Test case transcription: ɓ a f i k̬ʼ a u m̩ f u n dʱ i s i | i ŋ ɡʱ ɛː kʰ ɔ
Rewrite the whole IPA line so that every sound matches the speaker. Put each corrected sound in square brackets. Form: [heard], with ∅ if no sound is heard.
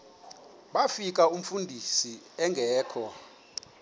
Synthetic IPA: ɓ a f i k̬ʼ a u m̩ f u n dʱ i s i | [ɛ] ŋ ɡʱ ɛː kʰ ɔ

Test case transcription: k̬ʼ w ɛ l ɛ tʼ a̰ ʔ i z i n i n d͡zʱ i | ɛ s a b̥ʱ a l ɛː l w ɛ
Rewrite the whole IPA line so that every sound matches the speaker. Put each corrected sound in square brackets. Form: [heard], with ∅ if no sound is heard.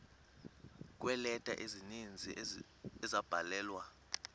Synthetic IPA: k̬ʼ w ɛ l ɛ tʼ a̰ ʔ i z i n i n d͡zʱ i | ɛ [z] a b̥ʱ a l ɛː l w [a]

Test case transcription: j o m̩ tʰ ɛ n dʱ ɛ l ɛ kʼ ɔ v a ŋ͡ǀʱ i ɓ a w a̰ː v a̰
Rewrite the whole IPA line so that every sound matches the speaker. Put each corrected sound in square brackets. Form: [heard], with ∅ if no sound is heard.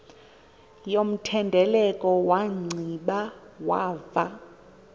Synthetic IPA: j o m̩ tʰ ɛ n dʱ ɛ l ɛ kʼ ɔ [w] a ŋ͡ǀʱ i ɓ a w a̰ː v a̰

